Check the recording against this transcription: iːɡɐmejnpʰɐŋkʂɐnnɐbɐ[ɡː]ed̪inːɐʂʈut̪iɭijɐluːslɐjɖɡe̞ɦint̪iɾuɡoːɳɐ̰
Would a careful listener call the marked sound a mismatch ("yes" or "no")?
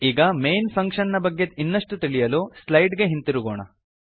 no